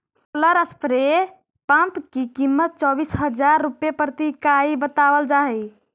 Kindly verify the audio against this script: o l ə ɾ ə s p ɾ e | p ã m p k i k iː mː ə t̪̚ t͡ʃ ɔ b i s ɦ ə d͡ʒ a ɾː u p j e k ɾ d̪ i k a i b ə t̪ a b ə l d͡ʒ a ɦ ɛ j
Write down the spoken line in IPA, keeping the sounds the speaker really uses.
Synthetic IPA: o l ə ɾ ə s p ɾ e | p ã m p k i k i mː ə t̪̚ t͡ʃ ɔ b i s ɦ ə d͡ʒ a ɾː u p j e p ɾ t̪ i k a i b ə t̪ a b ə l d͡ʒ a ɦ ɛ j